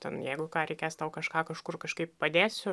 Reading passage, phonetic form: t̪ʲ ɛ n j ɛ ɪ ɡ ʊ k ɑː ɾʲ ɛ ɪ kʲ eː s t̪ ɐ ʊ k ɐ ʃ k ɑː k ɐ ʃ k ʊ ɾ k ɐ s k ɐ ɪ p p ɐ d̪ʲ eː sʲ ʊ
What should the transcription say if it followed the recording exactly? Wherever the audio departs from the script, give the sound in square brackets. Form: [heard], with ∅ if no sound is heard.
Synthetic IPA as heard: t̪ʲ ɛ n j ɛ ɪ ɡ ʊ k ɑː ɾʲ ɛ ɪ kʲ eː s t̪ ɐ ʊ k ɐ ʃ k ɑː k ɐ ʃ k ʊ [r] k ɐ [ʃ] k ɐ ɪ p p ɐ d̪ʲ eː sʲ ʊ